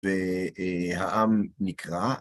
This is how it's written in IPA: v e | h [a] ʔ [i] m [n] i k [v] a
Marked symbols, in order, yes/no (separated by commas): yes, no, yes, no